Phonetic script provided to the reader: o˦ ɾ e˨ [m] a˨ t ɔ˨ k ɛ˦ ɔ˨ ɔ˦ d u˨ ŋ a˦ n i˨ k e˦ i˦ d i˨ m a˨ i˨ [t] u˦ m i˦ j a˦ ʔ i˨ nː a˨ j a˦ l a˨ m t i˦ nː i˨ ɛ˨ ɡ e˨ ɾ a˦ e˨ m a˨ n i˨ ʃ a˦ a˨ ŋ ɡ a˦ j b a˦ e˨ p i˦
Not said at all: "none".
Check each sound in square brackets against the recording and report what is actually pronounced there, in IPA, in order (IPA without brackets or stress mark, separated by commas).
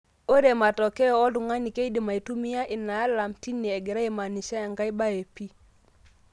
m, t